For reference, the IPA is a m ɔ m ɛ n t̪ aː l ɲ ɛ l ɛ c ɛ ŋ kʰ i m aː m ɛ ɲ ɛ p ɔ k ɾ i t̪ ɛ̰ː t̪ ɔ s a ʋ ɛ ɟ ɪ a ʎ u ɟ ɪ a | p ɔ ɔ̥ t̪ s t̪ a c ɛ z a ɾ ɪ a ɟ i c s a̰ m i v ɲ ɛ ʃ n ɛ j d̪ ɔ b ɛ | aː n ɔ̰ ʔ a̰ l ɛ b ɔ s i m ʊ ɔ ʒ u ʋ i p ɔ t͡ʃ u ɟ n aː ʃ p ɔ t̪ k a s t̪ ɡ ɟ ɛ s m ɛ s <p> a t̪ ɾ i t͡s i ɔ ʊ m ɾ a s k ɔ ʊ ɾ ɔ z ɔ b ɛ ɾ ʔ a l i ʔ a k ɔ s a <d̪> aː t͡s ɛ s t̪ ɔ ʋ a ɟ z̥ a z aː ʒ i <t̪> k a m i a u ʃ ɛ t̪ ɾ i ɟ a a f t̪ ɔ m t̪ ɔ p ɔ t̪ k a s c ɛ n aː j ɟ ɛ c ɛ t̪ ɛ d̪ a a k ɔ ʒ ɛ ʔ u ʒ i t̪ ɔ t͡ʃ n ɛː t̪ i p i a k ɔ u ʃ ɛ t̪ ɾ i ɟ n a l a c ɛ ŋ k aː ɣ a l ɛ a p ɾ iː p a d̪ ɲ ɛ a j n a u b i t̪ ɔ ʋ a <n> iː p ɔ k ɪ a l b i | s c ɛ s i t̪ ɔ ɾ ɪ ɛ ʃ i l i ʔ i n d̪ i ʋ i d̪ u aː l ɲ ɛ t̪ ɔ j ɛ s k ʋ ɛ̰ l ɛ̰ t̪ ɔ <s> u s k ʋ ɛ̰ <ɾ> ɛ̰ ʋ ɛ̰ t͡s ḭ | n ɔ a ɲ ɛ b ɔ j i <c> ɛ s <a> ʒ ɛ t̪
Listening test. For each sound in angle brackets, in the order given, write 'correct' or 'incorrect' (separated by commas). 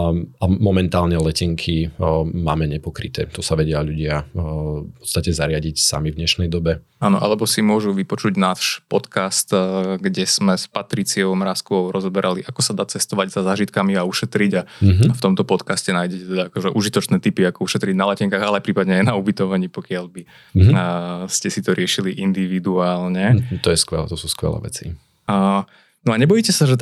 correct, correct, correct, incorrect, correct, incorrect, correct, correct